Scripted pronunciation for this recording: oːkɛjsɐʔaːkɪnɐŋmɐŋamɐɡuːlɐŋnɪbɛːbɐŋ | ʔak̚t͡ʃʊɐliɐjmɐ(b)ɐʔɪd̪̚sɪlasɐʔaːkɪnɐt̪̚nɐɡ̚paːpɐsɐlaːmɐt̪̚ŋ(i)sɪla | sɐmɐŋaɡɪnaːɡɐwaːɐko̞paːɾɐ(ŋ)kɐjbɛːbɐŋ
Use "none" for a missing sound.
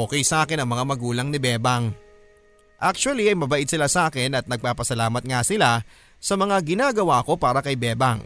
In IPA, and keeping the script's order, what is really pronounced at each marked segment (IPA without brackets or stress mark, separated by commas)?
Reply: b, a, none